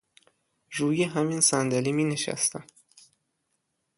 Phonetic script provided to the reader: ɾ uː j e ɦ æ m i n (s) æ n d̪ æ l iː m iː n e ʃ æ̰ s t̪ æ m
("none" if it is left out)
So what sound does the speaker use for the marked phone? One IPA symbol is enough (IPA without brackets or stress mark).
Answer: s